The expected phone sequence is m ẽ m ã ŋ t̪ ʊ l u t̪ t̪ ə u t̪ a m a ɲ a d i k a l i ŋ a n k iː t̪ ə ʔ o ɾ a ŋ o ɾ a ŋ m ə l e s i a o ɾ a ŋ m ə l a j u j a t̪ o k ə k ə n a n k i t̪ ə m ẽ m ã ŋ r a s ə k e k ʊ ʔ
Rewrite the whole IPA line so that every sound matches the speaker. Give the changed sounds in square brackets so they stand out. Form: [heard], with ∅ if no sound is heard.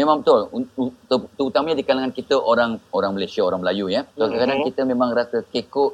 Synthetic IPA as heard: m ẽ m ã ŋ t̪ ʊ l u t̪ t̪ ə u t̪ a m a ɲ a d i k a l [a] ŋ a n k [i] t̪ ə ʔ o ɾ a ŋ o ɾ a ŋ m ə l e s i a o ɾ a ŋ m ə l a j u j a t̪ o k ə k [a] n a n k i t̪ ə m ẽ m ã ŋ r a s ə k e k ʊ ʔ